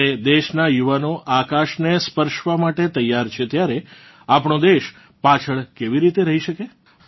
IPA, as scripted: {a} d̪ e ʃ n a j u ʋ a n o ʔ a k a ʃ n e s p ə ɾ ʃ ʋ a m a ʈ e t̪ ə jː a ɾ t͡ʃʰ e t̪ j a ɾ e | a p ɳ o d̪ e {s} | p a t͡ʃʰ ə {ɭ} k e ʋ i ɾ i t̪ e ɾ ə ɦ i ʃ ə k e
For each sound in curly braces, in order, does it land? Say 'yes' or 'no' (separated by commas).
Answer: no, no, yes